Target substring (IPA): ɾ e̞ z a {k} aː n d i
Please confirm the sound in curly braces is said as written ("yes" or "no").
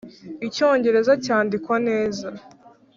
no